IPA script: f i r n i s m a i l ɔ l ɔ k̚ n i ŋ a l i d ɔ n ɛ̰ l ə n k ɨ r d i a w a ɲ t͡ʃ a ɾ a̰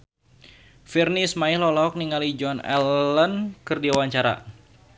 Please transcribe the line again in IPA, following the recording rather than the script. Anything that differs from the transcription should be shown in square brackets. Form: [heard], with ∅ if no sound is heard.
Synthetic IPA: f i r n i s m a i l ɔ l ɔ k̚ n i ŋ a l i [d͡ʒ] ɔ n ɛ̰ l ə n k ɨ r d i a w a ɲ t͡ʃ a ɾ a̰